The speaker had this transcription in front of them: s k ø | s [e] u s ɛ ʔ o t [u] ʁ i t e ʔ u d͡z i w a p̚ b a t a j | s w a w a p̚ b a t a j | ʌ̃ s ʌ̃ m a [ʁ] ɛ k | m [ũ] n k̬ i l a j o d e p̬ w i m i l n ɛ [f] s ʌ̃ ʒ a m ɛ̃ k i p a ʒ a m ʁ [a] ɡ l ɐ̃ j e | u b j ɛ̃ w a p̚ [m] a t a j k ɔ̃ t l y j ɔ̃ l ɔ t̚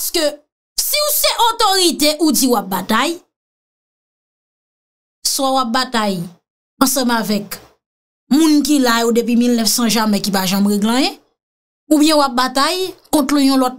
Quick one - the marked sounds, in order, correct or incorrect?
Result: incorrect: i, incorrect: o, incorrect: v, correct, correct, incorrect: e, incorrect: b

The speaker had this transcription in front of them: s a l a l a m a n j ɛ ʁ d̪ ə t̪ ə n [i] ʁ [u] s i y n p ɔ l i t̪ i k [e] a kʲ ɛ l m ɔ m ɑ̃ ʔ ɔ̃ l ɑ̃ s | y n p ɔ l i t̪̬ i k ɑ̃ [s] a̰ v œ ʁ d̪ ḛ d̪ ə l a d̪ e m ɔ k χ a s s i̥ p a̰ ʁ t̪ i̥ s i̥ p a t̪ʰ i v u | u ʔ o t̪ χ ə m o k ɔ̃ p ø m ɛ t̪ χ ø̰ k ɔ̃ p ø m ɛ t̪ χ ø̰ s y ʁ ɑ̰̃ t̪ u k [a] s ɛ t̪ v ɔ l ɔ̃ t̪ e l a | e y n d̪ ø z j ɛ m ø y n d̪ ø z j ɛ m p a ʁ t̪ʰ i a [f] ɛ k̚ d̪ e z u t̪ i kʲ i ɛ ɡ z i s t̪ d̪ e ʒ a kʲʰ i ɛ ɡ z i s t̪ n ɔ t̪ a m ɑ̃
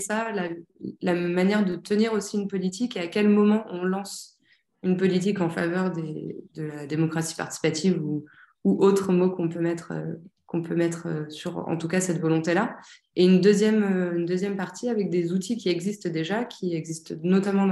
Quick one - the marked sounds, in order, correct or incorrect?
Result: correct, incorrect: o, correct, incorrect: f, correct, incorrect: v

